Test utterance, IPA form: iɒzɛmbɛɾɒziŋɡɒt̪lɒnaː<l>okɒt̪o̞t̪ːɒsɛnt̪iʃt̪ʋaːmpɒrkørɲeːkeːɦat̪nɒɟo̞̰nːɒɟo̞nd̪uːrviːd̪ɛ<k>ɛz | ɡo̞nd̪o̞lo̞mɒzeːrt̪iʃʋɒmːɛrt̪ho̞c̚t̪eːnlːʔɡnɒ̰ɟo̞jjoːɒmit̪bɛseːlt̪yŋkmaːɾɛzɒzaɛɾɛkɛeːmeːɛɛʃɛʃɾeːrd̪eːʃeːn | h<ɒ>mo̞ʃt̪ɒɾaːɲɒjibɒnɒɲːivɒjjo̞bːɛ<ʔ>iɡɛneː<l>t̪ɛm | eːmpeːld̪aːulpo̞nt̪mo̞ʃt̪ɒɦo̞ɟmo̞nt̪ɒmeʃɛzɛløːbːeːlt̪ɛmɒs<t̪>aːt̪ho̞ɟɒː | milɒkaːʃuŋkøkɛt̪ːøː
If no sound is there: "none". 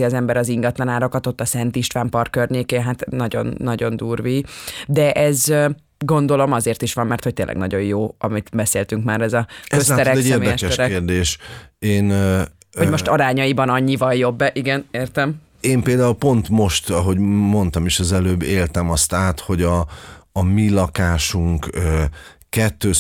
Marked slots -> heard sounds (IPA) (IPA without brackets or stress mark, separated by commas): ɾ, ʔ, o, ʔ, r, t̪